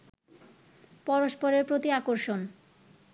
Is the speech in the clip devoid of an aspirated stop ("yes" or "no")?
yes